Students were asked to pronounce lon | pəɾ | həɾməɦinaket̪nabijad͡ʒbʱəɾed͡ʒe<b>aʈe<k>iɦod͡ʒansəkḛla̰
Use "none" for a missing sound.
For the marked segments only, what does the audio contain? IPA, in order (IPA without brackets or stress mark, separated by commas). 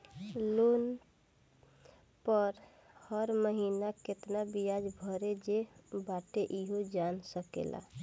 b, ʔ